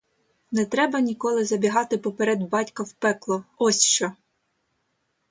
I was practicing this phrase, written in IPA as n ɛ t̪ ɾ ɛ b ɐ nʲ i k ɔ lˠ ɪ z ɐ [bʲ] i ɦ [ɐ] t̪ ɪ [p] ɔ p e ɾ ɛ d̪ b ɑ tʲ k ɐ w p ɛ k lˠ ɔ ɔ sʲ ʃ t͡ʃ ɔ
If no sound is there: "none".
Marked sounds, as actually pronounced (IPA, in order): bʲ, ɑ, p

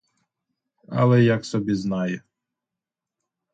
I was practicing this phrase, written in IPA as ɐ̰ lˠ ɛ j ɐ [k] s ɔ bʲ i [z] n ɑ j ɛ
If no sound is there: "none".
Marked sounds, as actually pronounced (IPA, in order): k, z

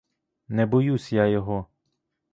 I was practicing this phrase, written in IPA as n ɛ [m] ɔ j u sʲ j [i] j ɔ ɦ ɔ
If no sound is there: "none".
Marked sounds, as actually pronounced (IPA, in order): b, a

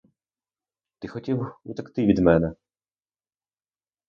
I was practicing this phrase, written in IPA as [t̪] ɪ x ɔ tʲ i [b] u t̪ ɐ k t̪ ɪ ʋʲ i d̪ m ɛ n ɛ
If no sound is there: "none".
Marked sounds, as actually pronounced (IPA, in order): t̪, w

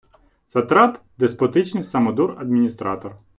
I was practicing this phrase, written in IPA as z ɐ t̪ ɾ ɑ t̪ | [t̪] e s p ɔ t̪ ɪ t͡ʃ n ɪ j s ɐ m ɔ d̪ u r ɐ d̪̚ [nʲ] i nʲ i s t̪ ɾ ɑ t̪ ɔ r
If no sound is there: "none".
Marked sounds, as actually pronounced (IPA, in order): d̪, mʲ

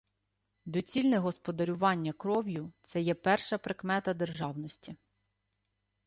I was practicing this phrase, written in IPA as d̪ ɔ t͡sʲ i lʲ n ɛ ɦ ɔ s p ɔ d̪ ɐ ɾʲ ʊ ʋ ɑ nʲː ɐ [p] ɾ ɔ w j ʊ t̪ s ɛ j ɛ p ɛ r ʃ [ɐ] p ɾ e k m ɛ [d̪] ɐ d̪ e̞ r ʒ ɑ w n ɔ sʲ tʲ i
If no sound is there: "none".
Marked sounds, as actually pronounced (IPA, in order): k, ɐ, t̪

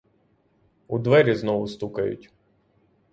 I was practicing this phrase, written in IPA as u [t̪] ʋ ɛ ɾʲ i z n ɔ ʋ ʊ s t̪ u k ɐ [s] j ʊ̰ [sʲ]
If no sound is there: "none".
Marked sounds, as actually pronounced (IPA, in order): d̪, none, tʲ

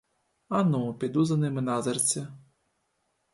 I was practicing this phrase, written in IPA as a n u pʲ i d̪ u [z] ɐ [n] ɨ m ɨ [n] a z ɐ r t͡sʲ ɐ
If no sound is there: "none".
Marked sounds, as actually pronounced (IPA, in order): z, n, n

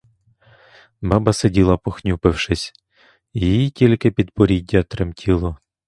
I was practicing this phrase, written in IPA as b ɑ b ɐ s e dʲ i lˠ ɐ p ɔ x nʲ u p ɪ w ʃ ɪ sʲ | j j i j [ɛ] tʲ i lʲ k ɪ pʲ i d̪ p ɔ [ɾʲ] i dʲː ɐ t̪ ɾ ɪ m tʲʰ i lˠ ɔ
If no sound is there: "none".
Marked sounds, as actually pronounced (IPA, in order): i, ɾʲ

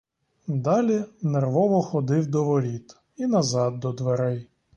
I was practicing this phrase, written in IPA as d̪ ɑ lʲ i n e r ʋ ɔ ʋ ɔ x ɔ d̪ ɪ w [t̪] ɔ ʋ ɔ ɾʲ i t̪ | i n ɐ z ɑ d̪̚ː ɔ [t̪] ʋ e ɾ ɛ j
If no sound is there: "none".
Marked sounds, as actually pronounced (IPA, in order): d̪, d̪

